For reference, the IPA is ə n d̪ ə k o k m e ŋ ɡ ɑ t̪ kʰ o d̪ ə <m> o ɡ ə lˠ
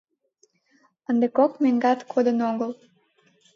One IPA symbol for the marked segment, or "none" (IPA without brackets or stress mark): n